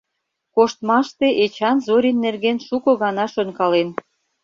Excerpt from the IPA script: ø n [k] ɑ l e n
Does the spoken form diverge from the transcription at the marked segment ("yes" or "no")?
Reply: no